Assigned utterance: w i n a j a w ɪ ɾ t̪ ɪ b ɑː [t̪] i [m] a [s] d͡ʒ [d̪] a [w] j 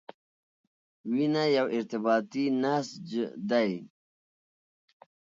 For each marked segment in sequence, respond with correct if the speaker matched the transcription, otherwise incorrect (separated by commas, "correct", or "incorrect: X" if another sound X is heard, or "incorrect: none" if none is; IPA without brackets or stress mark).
correct, incorrect: n, correct, correct, incorrect: none